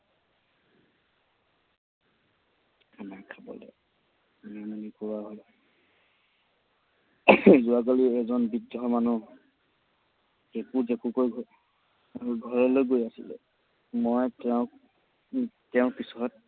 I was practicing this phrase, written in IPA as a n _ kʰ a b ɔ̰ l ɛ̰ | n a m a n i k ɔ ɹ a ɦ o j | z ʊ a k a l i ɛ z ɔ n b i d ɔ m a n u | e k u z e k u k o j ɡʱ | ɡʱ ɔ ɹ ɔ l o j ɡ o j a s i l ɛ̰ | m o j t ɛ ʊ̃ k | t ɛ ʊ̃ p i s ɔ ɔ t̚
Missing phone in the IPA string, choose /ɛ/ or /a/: a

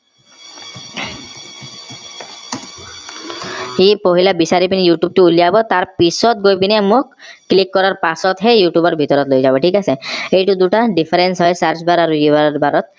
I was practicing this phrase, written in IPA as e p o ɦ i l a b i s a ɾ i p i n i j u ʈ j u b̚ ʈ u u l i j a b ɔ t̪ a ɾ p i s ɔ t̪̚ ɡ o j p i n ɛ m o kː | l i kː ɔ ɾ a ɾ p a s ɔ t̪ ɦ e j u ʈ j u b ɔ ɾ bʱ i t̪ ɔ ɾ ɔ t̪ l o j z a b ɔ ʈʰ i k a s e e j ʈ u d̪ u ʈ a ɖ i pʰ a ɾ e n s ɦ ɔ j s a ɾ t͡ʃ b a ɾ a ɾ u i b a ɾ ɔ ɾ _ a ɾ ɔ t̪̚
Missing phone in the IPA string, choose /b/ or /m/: b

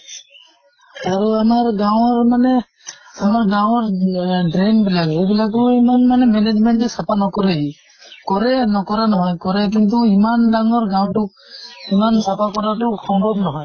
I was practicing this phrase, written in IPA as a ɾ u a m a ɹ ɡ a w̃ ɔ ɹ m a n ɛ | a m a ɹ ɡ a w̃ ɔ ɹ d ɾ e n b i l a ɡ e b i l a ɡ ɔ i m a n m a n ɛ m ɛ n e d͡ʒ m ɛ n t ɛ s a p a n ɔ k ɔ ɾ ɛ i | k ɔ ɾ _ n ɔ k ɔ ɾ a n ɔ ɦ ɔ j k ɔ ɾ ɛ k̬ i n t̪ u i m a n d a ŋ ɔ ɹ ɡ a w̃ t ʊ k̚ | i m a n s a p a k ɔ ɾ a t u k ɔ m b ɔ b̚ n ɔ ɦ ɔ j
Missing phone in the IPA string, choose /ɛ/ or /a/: ɛ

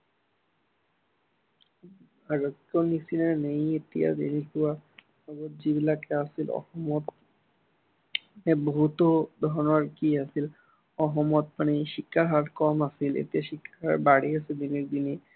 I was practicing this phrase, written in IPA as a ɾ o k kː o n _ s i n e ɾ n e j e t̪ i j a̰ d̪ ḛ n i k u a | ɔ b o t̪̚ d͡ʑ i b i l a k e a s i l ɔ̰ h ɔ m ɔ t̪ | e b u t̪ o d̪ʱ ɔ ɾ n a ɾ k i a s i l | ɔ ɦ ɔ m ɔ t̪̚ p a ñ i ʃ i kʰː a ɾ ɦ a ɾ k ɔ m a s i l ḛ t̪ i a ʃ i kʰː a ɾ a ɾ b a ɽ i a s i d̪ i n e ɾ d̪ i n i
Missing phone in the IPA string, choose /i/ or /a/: i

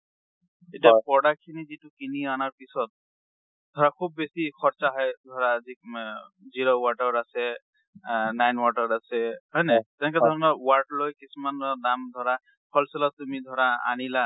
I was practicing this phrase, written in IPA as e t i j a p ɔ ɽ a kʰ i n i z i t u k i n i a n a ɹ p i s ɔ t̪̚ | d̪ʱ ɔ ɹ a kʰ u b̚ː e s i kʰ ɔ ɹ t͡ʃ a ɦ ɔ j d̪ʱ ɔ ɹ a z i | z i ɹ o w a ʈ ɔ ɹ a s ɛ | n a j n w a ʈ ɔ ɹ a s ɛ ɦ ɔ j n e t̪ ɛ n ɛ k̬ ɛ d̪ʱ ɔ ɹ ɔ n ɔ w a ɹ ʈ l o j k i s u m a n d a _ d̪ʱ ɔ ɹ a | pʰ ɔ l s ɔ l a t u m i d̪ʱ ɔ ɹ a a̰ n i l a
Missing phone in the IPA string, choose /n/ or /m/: m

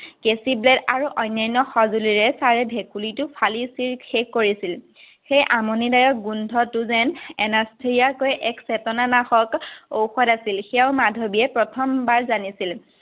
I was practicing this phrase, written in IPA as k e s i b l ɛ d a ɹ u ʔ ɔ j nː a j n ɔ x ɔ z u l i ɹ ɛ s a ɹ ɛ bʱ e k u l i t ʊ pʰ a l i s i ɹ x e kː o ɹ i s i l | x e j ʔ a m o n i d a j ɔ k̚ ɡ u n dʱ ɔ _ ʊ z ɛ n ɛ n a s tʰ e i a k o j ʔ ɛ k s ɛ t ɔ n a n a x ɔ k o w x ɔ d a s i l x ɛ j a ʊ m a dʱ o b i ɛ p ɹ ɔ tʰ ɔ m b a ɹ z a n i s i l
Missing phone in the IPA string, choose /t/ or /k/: t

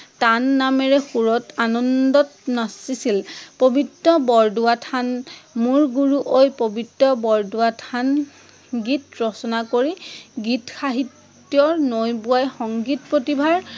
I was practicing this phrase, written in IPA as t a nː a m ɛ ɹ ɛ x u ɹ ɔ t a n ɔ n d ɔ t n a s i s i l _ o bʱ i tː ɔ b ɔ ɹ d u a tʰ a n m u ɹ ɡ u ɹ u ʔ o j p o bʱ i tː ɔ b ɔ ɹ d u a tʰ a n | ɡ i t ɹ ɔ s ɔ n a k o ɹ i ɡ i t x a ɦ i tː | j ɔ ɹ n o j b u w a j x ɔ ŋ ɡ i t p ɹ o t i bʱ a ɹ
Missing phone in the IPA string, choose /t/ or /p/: p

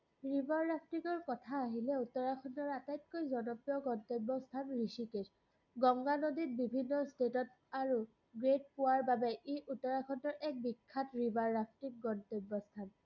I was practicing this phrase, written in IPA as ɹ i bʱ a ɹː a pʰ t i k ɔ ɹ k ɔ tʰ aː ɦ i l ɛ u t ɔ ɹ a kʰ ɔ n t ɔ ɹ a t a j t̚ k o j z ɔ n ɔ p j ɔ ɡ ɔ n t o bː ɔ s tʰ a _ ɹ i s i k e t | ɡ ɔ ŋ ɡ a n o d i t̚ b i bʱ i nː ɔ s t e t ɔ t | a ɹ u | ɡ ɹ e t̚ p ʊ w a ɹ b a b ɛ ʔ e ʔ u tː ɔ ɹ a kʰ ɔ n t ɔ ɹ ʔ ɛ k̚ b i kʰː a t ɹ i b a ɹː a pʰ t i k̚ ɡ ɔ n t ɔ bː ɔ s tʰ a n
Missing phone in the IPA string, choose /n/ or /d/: n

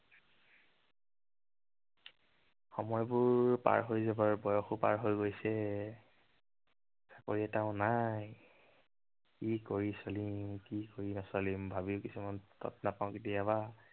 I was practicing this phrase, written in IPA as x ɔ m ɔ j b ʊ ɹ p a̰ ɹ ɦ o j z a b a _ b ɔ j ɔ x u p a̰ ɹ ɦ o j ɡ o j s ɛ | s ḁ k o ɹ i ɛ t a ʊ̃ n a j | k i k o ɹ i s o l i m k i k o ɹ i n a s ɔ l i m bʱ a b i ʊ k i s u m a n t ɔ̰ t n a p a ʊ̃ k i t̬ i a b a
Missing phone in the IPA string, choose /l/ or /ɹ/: ɹ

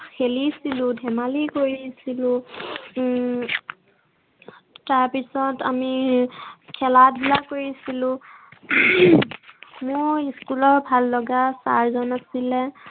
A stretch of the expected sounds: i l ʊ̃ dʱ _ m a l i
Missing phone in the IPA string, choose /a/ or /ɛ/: ɛ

